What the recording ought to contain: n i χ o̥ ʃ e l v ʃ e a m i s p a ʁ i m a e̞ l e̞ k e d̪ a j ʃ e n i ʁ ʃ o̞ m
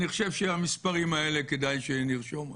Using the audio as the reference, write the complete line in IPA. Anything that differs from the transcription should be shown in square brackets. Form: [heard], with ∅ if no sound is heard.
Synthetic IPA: n i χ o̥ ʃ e [∅] v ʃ e a m i s p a ʁ i m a e̞ l e̞ k e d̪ a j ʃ e n i ʁ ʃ o̞ m